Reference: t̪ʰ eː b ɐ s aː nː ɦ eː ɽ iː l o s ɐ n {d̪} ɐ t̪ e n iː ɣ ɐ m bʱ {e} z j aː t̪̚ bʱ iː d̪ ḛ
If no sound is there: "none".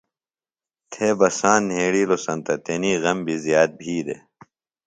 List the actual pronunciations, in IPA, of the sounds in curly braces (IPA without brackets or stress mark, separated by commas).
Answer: t̪, i